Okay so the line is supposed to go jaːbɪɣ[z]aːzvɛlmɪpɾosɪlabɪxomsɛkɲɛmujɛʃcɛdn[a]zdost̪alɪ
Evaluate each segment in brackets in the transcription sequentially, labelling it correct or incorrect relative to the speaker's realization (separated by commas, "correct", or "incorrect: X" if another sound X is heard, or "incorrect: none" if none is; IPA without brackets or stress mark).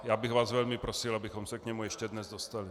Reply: incorrect: v, incorrect: ɛ